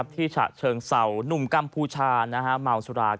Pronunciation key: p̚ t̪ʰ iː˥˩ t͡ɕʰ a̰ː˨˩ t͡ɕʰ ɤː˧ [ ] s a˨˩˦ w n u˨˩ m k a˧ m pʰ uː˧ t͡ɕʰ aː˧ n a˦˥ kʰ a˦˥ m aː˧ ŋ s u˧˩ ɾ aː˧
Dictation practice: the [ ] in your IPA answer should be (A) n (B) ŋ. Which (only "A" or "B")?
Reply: B